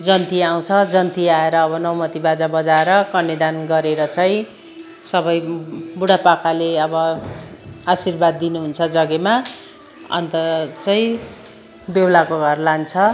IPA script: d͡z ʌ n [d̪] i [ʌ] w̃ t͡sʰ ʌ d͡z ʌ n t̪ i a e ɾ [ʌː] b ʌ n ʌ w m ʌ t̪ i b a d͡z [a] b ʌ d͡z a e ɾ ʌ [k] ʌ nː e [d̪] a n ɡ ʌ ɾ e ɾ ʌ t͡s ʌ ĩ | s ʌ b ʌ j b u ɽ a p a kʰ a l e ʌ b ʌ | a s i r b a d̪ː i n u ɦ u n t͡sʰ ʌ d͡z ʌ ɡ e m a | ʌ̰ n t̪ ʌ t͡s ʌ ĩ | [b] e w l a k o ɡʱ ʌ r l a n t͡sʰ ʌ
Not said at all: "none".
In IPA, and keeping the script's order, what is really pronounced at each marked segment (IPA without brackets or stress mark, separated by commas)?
t̪, a, ʌː, a, k, d̪, b